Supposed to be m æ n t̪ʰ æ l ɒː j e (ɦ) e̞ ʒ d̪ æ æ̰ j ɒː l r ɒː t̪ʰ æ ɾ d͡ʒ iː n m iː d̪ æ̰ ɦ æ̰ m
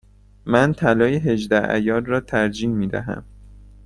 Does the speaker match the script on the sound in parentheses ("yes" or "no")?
yes